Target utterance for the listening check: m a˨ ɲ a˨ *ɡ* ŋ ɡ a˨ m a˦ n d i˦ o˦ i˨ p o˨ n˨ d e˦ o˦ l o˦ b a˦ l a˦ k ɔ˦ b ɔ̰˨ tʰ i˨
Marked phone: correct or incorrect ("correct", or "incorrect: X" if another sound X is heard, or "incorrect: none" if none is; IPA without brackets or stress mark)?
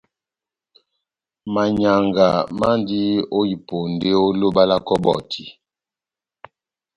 incorrect: none